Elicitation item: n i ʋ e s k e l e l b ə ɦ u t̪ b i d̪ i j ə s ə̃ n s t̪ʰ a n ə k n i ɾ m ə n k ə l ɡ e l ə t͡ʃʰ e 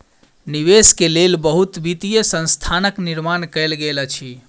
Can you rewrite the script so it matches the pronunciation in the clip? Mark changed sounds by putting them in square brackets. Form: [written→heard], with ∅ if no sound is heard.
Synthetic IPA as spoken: n i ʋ e s k e l e l b ə ɦ u t̪ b i [d̪→t̪] i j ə s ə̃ n s t̪ʰ a n ə k n i ɾ m [ə→a] n k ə l ɡ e l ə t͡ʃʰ [e→i]